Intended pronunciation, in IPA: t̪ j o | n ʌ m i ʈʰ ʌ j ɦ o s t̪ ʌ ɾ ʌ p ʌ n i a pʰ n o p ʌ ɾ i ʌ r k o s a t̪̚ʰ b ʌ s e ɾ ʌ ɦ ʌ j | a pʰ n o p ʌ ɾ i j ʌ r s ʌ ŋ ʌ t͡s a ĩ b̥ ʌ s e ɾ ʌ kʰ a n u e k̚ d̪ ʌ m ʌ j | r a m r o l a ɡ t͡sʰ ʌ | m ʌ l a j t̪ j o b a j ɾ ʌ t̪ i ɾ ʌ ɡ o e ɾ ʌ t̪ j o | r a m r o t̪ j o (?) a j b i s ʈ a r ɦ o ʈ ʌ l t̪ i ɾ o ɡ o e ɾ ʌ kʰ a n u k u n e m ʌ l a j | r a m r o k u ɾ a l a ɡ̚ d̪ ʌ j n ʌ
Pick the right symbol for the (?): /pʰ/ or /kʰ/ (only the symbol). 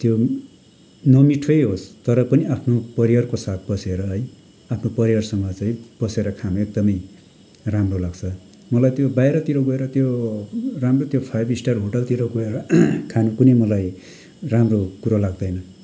pʰ